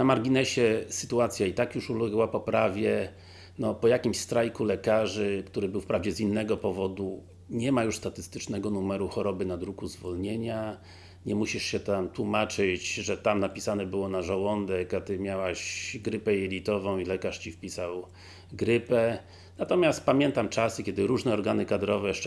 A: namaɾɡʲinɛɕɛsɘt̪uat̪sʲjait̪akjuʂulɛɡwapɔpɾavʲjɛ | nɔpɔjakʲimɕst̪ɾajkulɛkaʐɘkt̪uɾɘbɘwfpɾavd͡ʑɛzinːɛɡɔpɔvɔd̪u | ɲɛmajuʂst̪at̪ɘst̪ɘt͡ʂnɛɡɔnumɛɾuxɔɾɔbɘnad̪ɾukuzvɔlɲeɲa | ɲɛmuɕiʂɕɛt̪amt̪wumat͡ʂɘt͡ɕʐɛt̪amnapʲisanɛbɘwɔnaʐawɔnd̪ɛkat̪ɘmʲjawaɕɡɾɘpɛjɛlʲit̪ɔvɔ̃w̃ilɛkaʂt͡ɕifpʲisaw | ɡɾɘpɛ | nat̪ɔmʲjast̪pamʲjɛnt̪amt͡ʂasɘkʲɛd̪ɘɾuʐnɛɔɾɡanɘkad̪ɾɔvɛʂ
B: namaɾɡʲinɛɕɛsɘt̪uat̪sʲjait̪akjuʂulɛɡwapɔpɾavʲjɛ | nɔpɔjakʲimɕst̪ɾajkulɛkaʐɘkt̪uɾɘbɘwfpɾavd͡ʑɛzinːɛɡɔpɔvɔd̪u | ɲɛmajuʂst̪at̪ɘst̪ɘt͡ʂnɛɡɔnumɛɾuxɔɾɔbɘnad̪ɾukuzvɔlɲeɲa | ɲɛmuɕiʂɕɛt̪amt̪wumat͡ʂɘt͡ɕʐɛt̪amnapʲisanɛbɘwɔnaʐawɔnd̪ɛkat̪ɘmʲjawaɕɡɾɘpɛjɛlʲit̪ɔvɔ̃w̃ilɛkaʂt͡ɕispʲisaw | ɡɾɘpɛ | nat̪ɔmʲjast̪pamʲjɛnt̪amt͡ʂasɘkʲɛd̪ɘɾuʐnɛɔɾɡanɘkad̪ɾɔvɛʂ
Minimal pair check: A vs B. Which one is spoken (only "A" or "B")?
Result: A